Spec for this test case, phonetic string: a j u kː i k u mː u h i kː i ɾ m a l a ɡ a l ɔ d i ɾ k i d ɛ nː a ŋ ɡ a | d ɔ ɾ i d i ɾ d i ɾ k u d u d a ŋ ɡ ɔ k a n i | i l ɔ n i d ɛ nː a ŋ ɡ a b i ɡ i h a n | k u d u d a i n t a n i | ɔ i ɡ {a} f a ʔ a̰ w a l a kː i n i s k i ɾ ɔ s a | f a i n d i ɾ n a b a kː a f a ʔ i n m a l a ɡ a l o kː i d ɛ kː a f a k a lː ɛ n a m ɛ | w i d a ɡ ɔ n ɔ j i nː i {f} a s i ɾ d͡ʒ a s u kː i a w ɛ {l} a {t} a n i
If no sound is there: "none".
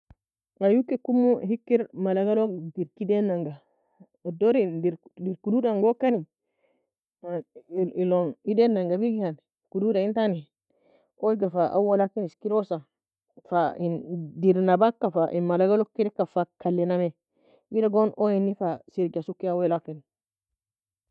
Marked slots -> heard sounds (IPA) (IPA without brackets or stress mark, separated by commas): a, f, l, k